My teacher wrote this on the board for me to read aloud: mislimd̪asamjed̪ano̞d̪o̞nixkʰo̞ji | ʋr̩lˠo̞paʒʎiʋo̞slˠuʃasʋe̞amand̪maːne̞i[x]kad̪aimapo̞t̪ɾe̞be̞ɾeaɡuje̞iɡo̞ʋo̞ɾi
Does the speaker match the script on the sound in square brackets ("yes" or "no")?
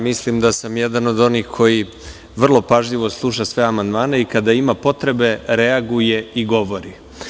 no